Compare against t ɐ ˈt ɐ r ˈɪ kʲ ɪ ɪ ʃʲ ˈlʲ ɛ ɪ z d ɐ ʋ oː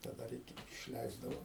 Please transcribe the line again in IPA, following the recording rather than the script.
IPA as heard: t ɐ ˈd ɐ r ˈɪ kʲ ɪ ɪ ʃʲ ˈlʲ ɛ ɪ z d ɐ ʋ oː